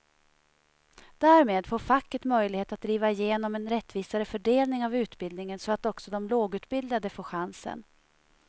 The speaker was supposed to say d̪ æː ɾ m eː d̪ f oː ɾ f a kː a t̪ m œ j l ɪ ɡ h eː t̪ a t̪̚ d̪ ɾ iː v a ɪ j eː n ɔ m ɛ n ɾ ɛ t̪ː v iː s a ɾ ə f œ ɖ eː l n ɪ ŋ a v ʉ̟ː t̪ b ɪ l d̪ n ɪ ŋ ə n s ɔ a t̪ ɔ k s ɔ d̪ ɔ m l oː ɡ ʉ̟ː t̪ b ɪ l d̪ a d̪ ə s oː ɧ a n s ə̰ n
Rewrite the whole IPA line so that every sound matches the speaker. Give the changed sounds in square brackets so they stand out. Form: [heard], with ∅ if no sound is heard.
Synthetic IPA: d̪ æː ɾ m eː d̪ f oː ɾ f a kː [ə] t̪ m œ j l ɪ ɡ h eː t̪ a t̪̚ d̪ ɾ iː v a ɪ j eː n ɔ m ɛ n ɾ ɛ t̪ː v iː s a ɾ ə f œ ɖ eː l n ɪ ŋ a v ʉ̟ː t̪ b ɪ l d̪ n ɪ ŋ ə n s ɔ a t̪ ɔ k s ɔ d̪ ɔ m l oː ɡ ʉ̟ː t̪ b ɪ l d̪ a d̪ ə [f] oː ɧ a n s ə̰ n